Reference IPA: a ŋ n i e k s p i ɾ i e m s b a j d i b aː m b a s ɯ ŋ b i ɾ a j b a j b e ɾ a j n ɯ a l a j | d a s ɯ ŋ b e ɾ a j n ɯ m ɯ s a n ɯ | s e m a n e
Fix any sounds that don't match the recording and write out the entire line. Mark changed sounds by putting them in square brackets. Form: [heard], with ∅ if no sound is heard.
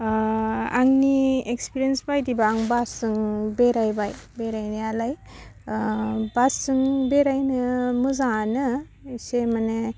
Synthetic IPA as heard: a ŋ n i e k s p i ɾ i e [n] s b a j d i b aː [ŋ] b a s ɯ ŋ b [e] ɾ a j b a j b e ɾ a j n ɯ a l a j | [b] a s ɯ ŋ b e ɾ a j n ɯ m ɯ [z] a n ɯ | s e m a n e